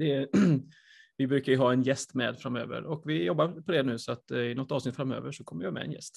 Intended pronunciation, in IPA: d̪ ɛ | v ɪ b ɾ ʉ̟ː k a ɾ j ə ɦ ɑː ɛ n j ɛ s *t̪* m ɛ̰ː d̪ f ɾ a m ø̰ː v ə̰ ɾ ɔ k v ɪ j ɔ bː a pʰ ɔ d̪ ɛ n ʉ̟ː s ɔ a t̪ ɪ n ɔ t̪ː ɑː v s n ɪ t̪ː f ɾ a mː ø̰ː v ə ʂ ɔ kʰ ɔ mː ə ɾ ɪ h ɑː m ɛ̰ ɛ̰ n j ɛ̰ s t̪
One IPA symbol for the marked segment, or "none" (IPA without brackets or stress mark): t̪